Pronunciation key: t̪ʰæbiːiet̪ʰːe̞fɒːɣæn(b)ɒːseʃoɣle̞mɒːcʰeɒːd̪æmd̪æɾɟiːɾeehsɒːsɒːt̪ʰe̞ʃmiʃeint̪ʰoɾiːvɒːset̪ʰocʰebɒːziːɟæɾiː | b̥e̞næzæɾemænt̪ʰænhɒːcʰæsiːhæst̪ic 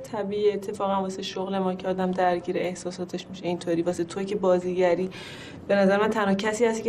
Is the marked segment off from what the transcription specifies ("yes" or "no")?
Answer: yes